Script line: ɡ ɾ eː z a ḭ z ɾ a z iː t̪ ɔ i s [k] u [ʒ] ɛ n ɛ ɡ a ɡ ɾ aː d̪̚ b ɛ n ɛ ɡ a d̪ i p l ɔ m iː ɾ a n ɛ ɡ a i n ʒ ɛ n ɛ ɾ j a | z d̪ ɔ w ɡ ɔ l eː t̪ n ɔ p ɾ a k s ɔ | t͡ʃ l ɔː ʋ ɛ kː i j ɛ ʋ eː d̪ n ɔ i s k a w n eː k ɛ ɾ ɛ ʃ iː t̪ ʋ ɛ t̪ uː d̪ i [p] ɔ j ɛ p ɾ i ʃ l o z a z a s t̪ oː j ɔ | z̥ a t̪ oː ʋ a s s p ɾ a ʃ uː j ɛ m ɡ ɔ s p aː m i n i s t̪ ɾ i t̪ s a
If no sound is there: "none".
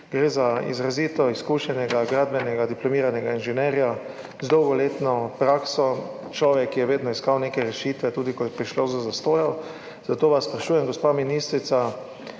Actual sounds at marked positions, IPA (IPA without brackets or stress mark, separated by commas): k, ʃ, k